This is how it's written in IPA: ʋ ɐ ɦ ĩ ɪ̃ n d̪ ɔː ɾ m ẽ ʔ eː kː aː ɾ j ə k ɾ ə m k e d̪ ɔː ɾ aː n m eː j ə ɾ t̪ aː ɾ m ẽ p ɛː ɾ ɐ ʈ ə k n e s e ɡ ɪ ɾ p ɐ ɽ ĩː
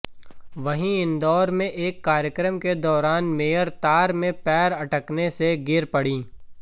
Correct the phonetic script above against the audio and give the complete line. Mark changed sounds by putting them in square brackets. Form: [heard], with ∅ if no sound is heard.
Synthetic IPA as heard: ʋ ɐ ɦ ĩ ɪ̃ n d̪ ɔː ɾ m ẽ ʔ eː kː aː ɾ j ə k ɾ ə m k e d̪ ɔː ɾ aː n m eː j ə ɾ t̪ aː ɾ m ẽ p ɛː ɾ ɐ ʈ ə k n e s e ɡ ɪ ɾ p ɐ ɽ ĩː